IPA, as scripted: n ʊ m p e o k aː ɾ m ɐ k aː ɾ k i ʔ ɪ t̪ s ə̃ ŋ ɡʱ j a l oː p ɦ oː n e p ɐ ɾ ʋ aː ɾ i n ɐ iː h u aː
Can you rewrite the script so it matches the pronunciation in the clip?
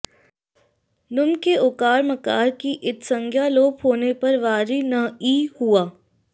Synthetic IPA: n ʊ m k e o k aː ɾ m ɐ k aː ɾ k i ʔ ɪ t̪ s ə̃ ŋ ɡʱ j a l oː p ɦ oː n e p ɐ ɾ ʋ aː ɾ i n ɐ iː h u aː